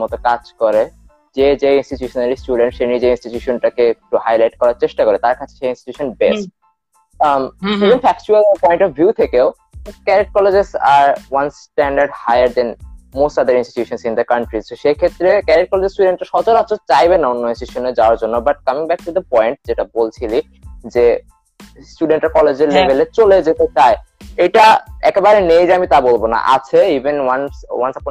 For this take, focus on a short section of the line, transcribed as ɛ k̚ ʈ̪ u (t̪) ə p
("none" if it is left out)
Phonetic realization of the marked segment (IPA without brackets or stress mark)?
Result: d̪